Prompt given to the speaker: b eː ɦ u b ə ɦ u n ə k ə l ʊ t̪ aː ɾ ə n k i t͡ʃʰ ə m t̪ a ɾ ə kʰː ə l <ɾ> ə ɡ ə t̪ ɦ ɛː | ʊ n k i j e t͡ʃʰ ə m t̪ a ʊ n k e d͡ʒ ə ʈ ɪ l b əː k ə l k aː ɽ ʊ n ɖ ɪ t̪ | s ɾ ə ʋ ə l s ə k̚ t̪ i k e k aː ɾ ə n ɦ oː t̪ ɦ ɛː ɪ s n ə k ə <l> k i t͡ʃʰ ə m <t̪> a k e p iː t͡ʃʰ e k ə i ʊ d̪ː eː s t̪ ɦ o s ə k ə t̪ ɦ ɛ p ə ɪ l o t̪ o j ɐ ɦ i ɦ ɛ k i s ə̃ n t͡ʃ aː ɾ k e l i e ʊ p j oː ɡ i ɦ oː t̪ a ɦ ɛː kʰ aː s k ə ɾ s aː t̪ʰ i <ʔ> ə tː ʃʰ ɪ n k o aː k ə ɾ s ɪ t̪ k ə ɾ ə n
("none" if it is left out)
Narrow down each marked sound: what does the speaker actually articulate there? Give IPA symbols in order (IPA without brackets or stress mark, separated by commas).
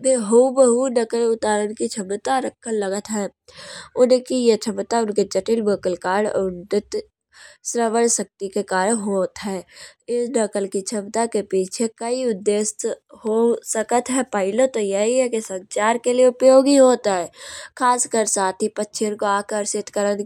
l, l, t̪, p